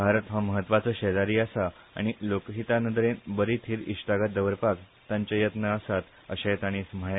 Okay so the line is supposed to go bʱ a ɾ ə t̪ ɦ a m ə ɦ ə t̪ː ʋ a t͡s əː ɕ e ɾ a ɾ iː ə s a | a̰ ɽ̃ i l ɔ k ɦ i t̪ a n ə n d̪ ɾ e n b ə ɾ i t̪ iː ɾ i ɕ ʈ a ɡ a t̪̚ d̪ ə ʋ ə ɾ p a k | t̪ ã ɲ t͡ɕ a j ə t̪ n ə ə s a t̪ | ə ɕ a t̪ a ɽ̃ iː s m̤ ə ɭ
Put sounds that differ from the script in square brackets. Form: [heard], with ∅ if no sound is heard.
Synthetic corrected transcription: bʱ a ɾ ə t̪ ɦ a m ə ɦ ə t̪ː ʋ a t͡s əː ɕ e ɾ a ɾ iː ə s a | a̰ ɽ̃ i l [o] k ɦ i t̪ a n ə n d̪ ɾ e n b ə ɾ i [t̪ʰ] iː ɾ i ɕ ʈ a ɡ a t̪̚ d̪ ə ʋ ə ɾ p a k | t̪ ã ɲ t͡ɕ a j ə t̪ n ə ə s a t̪ | ə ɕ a t̪ a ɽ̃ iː s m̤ ə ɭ